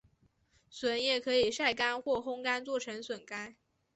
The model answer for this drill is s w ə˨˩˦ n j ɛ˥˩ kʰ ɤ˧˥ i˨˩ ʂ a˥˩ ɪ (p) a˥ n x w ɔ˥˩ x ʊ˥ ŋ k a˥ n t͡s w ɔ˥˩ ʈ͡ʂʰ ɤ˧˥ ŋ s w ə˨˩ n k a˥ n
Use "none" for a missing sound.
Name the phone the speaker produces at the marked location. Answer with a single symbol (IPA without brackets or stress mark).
k